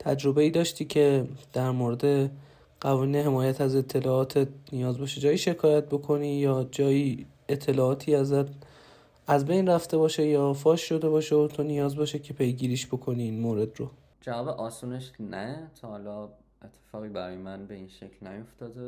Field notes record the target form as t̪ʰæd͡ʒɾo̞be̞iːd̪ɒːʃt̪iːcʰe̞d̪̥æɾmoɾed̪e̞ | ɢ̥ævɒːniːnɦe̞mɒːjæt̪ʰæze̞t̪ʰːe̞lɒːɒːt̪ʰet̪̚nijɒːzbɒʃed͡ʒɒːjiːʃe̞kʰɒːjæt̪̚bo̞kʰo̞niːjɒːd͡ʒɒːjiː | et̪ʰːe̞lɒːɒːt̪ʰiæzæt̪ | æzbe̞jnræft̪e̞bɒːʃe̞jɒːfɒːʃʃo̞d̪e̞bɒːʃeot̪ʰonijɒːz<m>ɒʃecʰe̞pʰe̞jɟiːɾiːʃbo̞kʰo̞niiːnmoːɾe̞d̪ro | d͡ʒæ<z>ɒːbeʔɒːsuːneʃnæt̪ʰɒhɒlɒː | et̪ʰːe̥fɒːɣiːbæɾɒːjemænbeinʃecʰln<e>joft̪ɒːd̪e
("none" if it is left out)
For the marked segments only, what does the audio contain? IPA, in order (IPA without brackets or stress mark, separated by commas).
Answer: b, v, æ